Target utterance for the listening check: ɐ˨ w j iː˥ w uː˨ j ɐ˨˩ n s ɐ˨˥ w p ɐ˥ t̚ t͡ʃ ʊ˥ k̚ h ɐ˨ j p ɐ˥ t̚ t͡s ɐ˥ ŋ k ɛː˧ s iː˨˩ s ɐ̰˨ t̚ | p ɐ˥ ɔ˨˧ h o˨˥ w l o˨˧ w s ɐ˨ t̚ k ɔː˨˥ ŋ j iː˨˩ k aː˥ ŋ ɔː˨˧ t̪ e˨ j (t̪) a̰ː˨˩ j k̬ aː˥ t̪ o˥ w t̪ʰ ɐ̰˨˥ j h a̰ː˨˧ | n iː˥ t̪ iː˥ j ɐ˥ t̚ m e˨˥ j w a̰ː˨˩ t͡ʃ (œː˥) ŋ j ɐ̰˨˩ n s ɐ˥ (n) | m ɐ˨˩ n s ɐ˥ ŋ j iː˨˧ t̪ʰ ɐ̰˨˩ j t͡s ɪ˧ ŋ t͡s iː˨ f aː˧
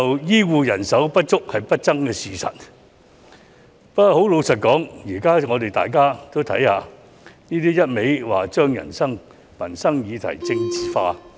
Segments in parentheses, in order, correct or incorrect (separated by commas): correct, correct, incorrect